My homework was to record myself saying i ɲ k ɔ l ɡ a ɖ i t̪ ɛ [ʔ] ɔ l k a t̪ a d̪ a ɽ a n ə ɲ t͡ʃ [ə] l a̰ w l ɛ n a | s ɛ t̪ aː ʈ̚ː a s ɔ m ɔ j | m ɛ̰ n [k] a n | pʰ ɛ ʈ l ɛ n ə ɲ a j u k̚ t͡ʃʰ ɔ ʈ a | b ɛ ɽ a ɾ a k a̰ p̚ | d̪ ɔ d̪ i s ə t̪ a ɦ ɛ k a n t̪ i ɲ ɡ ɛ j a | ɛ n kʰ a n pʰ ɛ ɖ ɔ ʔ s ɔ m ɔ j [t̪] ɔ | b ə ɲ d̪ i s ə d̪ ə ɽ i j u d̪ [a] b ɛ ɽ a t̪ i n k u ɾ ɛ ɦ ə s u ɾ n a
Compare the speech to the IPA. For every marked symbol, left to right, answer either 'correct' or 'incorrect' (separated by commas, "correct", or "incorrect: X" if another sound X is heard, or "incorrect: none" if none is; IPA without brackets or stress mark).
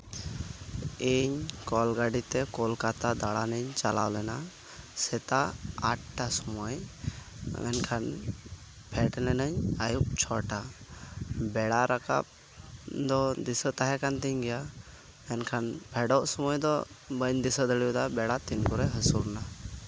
incorrect: k, incorrect: a, incorrect: kʰ, incorrect: d̪, correct